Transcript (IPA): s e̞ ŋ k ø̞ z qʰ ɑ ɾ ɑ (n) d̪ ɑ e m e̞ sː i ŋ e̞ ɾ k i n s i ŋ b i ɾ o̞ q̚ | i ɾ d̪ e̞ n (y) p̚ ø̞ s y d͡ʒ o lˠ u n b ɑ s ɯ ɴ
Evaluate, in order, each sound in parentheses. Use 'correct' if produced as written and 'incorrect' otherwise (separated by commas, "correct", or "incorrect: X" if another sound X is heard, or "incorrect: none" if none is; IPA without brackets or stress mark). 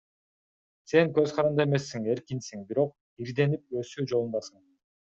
correct, incorrect: i